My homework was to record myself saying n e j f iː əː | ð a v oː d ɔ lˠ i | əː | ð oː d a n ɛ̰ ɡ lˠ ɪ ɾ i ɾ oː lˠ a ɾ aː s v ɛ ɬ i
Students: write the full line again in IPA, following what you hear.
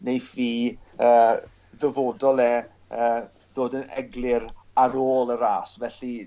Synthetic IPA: n e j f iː əː | ð ə v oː d ɔ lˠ ɛ | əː | ð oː d ə n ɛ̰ ɡ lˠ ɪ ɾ a ɾ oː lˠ ə ɾ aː s v ɛ ɬ i